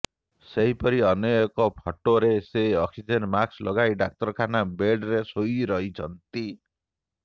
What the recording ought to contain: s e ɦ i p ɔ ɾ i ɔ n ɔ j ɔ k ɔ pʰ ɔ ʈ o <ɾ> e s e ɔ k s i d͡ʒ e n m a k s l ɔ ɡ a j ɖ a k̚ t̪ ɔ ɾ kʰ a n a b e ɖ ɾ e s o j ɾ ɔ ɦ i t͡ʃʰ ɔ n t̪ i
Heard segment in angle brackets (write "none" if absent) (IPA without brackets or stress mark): ɾ